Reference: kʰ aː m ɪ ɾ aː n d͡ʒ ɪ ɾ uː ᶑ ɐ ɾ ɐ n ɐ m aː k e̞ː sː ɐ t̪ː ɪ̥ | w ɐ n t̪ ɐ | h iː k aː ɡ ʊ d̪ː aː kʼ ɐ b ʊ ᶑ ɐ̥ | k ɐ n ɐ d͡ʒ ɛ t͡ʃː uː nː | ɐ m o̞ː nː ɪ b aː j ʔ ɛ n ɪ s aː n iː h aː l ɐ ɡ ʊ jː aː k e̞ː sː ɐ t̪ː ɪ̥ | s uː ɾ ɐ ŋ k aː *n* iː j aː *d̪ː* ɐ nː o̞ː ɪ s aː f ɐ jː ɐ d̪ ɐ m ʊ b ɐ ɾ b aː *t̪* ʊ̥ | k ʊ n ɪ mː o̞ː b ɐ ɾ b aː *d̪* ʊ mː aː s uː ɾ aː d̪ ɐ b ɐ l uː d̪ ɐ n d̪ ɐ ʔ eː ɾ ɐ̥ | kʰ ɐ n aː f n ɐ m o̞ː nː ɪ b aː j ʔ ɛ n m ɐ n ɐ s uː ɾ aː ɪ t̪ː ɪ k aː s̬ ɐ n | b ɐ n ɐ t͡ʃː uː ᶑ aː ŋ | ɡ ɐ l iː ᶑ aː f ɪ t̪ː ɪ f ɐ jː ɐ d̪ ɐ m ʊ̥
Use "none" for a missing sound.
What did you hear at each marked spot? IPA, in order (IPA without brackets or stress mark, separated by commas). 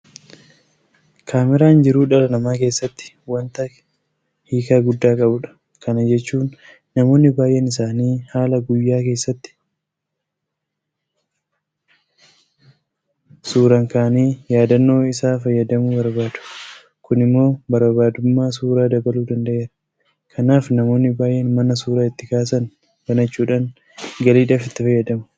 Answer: n, d̪, d̪, d̪